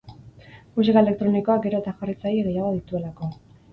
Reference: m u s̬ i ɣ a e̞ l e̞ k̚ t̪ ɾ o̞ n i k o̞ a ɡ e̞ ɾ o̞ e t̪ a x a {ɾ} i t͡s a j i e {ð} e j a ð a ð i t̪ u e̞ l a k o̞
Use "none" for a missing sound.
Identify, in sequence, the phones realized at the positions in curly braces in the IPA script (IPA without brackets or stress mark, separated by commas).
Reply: r, ɣ